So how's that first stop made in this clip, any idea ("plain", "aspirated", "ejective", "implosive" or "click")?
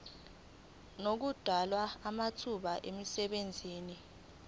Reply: plain